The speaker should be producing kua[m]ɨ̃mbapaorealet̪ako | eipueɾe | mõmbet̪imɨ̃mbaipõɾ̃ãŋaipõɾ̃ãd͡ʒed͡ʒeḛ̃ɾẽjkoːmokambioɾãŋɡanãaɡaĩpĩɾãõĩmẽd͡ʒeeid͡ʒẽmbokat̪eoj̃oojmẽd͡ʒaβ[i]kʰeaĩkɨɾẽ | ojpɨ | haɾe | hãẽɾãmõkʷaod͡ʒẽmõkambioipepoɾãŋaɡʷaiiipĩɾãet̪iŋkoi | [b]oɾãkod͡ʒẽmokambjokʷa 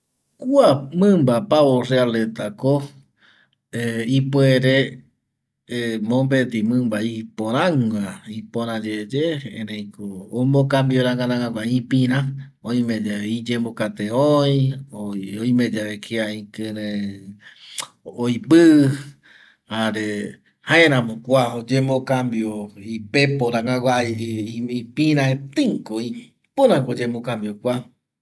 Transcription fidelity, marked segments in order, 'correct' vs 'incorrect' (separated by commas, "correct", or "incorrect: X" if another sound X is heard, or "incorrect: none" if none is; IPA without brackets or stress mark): correct, incorrect: e, incorrect: p